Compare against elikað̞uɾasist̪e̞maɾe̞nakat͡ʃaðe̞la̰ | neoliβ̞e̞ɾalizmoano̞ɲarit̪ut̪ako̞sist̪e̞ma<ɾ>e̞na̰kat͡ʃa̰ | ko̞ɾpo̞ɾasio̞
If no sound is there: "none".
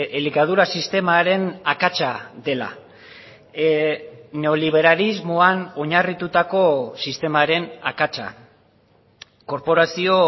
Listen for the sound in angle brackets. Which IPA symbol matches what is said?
ɾ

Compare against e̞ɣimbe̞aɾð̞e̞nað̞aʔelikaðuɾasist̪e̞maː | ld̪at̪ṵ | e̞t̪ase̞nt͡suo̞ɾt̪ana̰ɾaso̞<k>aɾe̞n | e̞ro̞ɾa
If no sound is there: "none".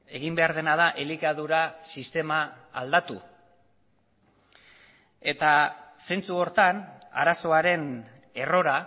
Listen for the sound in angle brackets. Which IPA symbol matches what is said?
none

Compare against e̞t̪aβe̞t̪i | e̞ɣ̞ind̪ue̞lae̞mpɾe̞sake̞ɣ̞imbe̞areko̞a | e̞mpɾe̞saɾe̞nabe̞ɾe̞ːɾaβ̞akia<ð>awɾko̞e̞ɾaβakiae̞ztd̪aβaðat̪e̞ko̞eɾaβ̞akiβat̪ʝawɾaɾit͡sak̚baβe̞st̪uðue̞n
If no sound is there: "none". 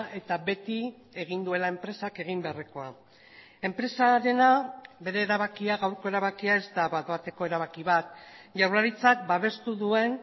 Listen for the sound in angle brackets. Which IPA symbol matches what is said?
ɣ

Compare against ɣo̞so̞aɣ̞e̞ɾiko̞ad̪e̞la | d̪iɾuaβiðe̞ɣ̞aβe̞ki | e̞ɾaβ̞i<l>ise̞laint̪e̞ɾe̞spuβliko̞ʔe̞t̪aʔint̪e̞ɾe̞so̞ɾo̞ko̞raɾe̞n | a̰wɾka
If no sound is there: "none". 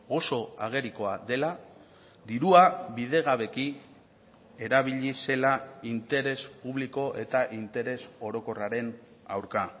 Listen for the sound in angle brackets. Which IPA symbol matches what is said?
ʎ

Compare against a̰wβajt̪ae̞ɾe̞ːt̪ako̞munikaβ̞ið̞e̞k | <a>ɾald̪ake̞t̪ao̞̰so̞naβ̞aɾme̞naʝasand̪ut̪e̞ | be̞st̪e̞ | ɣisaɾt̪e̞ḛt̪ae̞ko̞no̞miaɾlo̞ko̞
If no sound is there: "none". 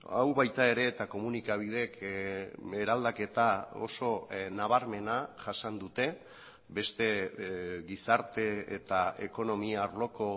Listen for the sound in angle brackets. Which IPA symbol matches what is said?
e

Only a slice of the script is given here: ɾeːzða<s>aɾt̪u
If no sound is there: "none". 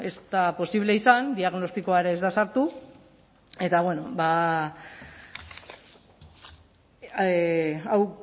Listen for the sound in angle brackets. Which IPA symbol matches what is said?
s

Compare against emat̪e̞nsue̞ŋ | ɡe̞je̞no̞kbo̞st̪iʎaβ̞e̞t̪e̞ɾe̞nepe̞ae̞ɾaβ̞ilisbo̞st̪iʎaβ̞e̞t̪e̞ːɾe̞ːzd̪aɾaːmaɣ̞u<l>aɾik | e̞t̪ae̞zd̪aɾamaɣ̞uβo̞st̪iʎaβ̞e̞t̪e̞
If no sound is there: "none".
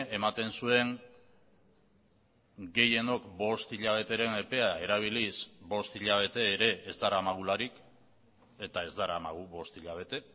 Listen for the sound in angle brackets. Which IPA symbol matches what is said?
l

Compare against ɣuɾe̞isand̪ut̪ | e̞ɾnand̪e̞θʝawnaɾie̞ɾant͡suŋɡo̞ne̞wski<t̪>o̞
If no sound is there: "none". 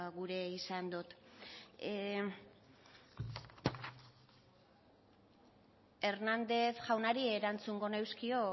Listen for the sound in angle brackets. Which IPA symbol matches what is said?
none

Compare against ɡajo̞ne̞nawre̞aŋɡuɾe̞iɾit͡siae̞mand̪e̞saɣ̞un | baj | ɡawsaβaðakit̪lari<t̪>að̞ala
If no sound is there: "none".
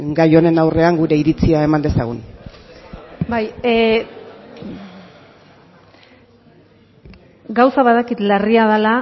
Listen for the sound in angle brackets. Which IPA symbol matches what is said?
none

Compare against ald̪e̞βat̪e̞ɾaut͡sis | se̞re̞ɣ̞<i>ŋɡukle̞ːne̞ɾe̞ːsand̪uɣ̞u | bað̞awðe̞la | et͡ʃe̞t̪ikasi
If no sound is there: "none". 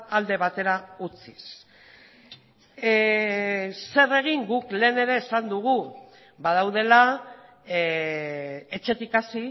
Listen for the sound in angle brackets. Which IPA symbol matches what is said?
i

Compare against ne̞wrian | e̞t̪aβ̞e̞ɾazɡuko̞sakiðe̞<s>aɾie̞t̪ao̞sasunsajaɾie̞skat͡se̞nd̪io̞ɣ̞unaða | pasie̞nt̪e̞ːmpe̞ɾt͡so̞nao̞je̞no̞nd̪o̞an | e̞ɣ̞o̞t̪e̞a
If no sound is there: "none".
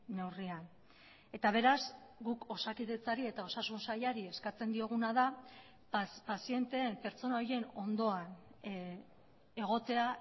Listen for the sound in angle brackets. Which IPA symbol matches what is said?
t͡s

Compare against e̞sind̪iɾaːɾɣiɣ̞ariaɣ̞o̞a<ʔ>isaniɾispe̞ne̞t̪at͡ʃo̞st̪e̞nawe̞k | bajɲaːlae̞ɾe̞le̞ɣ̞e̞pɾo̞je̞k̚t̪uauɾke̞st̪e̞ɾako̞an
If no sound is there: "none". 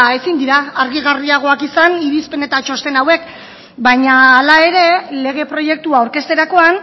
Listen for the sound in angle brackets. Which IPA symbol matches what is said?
k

